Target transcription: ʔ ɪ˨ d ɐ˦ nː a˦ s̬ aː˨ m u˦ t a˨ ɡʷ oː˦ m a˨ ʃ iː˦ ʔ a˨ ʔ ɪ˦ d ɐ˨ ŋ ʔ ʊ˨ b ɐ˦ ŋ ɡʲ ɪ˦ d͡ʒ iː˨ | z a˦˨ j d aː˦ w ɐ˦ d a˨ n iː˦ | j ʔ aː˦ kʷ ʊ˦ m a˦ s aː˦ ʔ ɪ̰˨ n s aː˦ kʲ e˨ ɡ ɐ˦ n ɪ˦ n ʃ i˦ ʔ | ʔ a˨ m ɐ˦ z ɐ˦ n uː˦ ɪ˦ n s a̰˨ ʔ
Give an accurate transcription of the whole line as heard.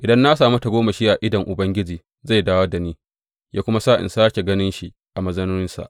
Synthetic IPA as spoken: ʔ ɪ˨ d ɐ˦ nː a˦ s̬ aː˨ m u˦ t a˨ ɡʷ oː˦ m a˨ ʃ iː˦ ʔ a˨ ʔ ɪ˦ d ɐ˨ ŋ ʔ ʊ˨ b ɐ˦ ŋ ɡʲ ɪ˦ d͡ʒ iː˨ | z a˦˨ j d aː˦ w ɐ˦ d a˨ n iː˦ | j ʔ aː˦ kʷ ʊ˦ m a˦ s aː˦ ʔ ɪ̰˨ n s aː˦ kʲ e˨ ɡ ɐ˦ n ɪ˦ n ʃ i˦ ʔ | ʔ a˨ m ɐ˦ z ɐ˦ n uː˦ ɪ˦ n s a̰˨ ʔ